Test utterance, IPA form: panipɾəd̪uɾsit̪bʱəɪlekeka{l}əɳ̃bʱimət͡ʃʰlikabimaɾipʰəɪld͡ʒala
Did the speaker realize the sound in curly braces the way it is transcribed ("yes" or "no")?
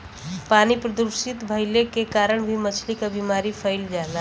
no